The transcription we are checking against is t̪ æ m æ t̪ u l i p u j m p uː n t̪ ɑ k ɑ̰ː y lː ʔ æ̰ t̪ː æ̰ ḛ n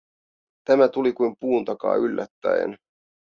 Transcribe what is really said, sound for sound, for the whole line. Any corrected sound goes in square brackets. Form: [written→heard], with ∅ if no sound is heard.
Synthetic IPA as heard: t̪ æ m æ t̪ u l i [p→k] u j m p uː n t̪ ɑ k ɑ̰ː y lː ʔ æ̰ t̪ː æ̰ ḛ n